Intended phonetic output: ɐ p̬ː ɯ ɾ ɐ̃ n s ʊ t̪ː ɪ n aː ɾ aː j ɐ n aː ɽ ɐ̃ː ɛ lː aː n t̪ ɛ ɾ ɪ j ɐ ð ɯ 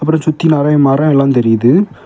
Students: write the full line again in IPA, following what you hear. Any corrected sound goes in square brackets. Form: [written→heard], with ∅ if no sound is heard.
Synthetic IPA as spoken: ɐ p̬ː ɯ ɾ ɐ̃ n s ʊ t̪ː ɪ n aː ɾ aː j ɐ [n→m] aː [ɽ→ɾ] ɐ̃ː ɛ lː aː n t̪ ɛ ɾ ɪ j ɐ ð ɯ